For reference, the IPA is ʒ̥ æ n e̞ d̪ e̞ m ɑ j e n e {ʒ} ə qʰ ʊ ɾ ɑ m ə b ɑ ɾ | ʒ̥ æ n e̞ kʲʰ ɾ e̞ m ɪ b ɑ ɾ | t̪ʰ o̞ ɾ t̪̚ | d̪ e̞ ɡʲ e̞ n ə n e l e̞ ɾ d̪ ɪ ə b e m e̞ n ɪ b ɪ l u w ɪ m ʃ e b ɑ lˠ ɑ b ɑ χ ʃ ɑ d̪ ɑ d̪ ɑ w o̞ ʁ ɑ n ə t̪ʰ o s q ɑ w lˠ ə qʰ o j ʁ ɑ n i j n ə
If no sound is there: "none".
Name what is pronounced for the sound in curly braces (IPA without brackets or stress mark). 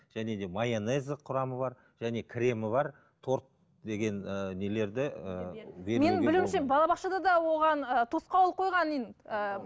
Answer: z